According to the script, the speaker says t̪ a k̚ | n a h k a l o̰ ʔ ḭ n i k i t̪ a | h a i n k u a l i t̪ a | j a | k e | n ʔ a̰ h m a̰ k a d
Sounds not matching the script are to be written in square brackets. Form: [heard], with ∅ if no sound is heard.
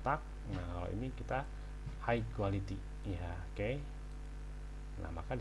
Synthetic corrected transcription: t̪ a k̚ | n a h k a l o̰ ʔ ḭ n i k i t̪ a | h a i [∅] k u a l i t̪ [i] | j a | k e | n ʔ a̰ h m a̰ k a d